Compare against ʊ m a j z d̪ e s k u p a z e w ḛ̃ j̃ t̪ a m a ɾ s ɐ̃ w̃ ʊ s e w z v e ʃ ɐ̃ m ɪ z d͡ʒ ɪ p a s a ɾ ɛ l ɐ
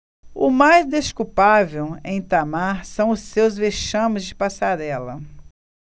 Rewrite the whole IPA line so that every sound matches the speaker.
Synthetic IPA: ʊ m a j z d̪ e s k u p a v e w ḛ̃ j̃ t̪ a m a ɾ s ɐ̃ w̃ ʊ s e w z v e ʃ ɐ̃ m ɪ z d͡ʒ ɪ p a s a ɾ ɛ l ɐ